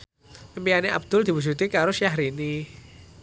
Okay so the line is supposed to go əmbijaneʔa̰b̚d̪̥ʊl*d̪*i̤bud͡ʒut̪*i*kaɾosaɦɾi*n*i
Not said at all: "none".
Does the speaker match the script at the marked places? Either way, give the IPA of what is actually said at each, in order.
d̪, i, n

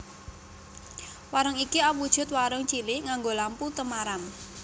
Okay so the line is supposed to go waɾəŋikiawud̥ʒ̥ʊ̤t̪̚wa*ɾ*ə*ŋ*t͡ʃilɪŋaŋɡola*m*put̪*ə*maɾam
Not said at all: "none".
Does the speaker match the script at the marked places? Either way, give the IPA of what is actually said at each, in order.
ɾ, ŋ, m, ə

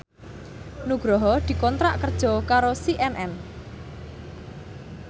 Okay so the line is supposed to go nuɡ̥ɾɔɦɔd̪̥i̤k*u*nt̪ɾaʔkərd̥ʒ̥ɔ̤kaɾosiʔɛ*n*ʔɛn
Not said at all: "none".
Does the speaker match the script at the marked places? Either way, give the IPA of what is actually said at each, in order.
ɔ, n

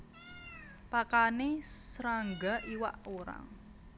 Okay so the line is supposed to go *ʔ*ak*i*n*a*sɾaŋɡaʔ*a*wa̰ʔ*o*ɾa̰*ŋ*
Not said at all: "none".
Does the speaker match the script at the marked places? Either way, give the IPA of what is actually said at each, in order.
p, a, e, i, o, ŋ

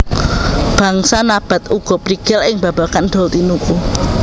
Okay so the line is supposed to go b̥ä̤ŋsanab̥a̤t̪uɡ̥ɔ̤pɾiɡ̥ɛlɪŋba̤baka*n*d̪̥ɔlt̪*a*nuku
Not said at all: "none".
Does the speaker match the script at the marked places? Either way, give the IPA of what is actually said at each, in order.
n, i

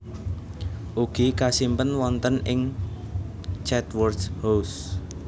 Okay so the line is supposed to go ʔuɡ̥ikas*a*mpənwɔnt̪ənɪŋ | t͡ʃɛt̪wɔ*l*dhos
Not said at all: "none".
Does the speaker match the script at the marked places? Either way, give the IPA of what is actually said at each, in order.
i, r

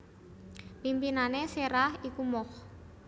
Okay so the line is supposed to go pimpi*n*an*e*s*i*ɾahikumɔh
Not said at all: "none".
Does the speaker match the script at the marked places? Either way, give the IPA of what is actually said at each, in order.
n, e, e

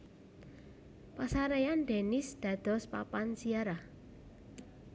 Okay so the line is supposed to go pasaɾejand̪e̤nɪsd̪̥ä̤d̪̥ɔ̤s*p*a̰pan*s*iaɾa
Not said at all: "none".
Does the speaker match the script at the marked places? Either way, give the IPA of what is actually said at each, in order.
p, s

